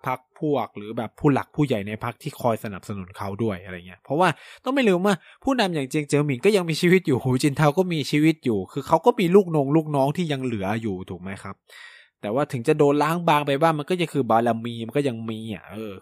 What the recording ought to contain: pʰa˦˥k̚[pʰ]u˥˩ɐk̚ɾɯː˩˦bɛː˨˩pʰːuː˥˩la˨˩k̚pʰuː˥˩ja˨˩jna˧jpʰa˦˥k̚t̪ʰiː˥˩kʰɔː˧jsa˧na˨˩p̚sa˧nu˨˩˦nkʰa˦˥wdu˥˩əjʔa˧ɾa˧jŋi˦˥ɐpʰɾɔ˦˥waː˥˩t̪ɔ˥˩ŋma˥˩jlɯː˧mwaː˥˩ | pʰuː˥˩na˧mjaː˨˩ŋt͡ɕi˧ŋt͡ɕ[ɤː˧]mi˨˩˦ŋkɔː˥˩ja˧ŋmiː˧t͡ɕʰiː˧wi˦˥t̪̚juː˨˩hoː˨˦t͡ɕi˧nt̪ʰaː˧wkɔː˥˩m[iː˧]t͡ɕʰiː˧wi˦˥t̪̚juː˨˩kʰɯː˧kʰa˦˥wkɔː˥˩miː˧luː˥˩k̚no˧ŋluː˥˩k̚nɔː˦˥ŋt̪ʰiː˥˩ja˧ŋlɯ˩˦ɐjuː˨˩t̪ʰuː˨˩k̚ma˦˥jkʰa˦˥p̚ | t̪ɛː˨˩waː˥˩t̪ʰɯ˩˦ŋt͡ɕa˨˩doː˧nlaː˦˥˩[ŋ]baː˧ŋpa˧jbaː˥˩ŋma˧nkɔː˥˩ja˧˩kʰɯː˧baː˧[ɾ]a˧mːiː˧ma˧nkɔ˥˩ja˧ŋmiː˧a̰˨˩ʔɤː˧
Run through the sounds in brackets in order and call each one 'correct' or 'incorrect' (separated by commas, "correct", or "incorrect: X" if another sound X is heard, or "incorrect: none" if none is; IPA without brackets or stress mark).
correct, correct, correct, correct, incorrect: l